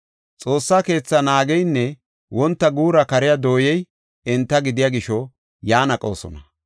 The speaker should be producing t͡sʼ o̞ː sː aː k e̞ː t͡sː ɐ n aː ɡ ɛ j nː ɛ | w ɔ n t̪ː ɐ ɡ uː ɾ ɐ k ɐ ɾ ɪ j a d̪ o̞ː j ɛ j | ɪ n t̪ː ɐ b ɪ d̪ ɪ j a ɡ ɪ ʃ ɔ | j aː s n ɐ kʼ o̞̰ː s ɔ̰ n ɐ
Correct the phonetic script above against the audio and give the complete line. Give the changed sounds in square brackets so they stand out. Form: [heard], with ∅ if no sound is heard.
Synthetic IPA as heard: t͡sʼ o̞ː sː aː k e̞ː t͡sː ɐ n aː ɡ ɛ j nː ɛ | w ɔ n t̪ː ɐ ɡ uː ɾ ɐ k ɐ ɾ ɪ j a d̪ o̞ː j ɛ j | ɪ n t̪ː ɐ [ɡ] ɪ d̪ ɪ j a ɡ ɪ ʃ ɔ | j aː [∅] n ɐ kʼ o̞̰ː s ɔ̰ n ɐ

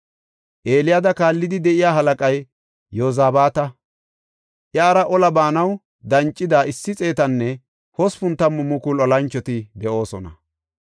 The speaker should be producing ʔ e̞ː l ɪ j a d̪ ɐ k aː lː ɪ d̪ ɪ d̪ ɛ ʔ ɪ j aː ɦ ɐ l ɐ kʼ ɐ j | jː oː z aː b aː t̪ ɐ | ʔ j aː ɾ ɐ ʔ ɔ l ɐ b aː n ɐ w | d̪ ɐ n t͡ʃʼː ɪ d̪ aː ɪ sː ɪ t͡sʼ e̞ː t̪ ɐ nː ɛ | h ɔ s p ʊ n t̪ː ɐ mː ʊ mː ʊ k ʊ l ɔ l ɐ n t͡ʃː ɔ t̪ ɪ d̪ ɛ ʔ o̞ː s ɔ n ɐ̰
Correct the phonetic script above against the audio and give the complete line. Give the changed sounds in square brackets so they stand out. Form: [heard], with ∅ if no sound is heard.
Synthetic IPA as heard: ʔ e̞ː l ɪ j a d̪ ɐ k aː lː ɪ d̪ ɪ d̪ ɛ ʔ ɪ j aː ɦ ɐ l ɐ kʼ ɐ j | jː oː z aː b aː t̪ ɐ | ʔ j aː ɾ ɐ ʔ ɔ l ɐ b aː n ɐ w | d̪ ɐ n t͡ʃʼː ɪ d̪ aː ɪ sː ɪ t͡sʼ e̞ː t̪ ɐ nː ɛ | h ɔ s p ʊ n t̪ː ɐ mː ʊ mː ʊ k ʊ l ɔ l ɐ n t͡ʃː ɔ t̪ ɪ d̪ ɛ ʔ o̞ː s ɔ n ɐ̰

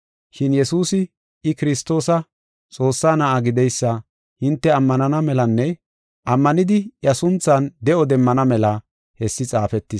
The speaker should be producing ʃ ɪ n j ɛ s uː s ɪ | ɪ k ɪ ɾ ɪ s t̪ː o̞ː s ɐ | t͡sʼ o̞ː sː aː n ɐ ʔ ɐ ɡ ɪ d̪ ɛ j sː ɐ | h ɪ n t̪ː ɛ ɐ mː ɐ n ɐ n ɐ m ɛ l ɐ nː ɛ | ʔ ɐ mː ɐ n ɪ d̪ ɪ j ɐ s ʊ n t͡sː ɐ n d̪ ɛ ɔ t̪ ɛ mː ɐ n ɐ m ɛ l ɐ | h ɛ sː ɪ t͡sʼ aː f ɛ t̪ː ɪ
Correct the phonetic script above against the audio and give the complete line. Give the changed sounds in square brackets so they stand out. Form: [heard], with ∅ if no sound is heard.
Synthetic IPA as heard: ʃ ɪ n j ɛ s uː s ɪ | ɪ k ɪ ɾ ɪ s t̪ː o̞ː s ɐ | t͡sʼ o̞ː sː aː n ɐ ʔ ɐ ɡ ɪ d̪ ɛ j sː ɐ | h ɪ n t̪ː ɛ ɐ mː ɐ n ɐ n ɐ m ɛ l ɐ nː ɛ | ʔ ɐ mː ɐ n ɪ d̪ ɪ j ɐ s ʊ n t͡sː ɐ n d̪ ɛ ɔ [d̪] ɛ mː ɐ n ɐ m ɛ l ɐ | h ɛ sː ɪ t͡sʼ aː f ɛ t̪ː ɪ

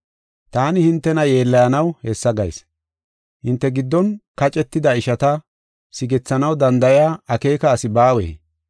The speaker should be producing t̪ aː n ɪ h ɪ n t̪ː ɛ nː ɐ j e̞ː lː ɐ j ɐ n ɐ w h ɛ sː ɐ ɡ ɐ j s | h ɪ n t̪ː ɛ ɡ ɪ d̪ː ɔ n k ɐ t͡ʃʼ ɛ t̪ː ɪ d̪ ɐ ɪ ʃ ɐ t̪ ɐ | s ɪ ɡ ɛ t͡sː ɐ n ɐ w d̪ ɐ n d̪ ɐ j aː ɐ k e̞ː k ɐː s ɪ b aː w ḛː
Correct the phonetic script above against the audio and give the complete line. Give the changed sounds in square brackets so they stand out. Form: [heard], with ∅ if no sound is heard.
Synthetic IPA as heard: t̪ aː n ɪ h ɪ n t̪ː ɛ [n] ɐ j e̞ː lː ɐ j ɐ n ɐ w h ɛ sː ɐ ɡ ɐ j s | h ɪ n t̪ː ɛ ɡ ɪ d̪ː ɔ n k ɐ t͡ʃʼ ɛ t̪ː ɪ d̪ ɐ ɪ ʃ ɐ t̪ ɐ | s ɪ ɡ ɛ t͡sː ɐ n ɐ w d̪ ɐ n d̪ ɐ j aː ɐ k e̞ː k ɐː s ɪ b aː w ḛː

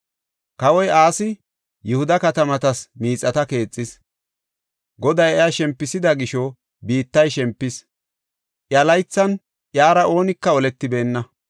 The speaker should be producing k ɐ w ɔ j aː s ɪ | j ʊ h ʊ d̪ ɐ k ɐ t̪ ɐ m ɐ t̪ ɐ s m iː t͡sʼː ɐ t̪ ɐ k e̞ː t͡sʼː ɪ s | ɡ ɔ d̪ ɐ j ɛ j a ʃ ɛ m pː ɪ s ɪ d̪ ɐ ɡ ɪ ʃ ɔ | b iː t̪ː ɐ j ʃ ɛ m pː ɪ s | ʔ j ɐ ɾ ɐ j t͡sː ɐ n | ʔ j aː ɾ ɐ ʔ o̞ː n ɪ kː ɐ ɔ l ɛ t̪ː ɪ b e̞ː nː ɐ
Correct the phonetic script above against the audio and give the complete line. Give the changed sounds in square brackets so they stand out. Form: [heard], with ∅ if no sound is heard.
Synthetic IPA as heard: k ɐ w ɔ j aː s ɪ | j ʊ h ʊ d̪ ɐ k ɐ t̪ ɐ m ɐ t̪ ɐ s m iː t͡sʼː ɐ t̪ ɐ k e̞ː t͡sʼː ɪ s | ɡ ɔ d̪ ɐ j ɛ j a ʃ ɛ m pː ɪ s ɪ d̪ ɐ ɡ ɪ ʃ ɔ | b iː t̪ː ɐ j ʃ ɛ m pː ɪ s | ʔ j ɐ [l] ɐ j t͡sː ɐ n | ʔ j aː ɾ ɐ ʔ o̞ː n ɪ kː ɐ ɔ l ɛ t̪ː ɪ b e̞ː nː ɐ

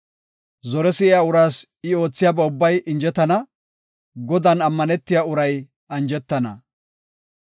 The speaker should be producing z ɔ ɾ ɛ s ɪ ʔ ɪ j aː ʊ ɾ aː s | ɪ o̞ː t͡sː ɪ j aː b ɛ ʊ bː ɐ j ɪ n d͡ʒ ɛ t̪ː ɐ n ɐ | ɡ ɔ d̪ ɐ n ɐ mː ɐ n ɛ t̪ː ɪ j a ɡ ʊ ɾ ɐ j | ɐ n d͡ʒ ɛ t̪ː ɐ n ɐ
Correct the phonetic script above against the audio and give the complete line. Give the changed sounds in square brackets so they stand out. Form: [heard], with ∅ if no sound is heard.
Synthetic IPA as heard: z ɔ ɾ ɛ s ɪ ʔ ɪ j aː ʊ ɾ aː s | ɪ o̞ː t͡sː ɪ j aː b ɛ ʊ bː ɐ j ɪ n d͡ʒ ɛ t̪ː ɐ n ɐ | ɡ ɔ d̪ ɐ n ɐ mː ɐ n ɛ t̪ː ɪ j a [∅] ʊ ɾ ɐ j | ɐ n d͡ʒ ɛ t̪ː ɐ n ɐ

